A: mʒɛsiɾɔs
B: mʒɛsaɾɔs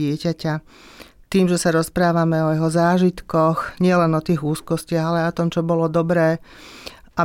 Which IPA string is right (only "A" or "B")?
B